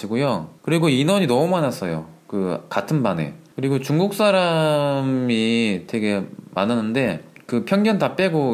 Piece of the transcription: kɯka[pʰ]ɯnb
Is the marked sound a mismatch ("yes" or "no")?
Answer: yes